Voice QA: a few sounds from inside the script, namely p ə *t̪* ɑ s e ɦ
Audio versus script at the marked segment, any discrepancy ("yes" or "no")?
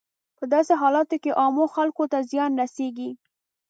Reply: yes